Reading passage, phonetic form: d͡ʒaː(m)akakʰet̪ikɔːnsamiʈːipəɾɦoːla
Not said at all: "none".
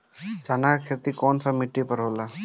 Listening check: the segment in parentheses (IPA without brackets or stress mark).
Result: n